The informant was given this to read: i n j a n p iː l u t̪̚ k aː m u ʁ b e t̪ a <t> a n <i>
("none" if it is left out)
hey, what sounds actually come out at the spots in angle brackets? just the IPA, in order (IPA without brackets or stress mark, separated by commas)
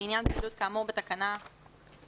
k, a